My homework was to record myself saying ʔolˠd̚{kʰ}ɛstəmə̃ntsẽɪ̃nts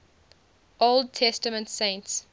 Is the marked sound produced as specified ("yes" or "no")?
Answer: no